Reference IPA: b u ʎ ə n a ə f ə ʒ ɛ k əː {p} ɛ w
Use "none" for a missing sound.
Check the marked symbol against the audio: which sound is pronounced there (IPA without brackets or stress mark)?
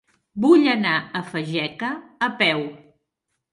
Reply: p